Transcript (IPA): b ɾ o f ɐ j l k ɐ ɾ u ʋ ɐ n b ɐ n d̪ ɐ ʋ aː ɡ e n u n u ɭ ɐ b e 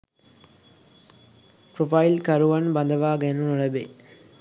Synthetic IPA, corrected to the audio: p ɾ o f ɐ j l k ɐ ɾ u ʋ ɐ n b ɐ n d̪ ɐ ʋ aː ɡ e n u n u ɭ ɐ b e